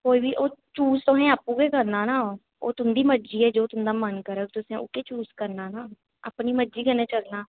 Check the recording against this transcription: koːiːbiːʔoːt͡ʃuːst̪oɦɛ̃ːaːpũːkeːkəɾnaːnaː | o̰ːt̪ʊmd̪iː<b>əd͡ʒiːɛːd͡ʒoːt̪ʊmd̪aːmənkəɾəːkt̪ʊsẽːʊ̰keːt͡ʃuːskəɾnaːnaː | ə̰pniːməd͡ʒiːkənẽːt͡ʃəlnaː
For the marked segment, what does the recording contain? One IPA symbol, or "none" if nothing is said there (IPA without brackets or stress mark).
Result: m